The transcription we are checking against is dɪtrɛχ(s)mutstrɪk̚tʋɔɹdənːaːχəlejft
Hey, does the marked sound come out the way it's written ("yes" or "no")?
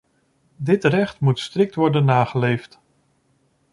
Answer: no